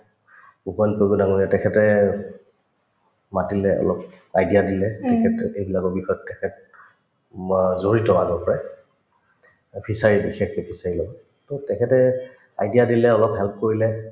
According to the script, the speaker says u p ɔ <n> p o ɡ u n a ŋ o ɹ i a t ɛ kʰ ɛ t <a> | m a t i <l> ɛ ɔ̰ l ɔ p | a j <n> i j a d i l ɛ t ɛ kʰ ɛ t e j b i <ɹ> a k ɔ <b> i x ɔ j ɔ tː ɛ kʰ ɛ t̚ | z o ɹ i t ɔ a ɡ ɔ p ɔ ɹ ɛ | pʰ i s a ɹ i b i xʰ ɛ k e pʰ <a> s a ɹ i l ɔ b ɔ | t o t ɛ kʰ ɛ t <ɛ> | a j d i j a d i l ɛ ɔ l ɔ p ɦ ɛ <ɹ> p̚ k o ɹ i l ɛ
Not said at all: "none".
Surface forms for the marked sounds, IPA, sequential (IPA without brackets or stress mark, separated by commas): n, ɛ, l, d, l, b, i, ɛ, l